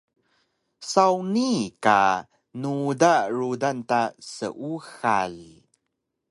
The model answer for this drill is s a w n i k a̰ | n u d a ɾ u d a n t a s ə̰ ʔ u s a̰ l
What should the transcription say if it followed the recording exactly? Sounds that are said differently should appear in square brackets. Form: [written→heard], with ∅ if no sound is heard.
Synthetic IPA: s a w n i k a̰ | n u d a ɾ u d a n t a s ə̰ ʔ u [s→x] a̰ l